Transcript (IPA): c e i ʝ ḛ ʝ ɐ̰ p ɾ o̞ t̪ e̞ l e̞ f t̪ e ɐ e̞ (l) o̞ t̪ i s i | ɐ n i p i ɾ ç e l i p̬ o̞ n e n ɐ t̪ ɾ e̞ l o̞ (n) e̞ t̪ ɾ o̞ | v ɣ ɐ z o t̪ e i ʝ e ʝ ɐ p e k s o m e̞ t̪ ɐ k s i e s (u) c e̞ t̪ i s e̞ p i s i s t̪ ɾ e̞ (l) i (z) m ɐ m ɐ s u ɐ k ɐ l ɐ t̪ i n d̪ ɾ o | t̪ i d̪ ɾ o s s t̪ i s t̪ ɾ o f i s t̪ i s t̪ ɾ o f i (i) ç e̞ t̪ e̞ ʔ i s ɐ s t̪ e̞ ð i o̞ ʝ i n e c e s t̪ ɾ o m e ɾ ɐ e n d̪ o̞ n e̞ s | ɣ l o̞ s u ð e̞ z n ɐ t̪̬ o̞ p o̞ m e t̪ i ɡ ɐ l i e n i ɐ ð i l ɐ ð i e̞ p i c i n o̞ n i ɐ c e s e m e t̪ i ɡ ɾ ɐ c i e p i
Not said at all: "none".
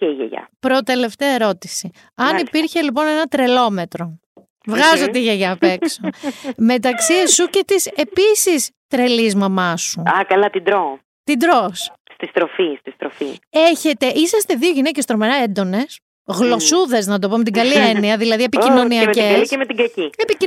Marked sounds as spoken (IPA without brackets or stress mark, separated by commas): ɾ, m, u, l, z, e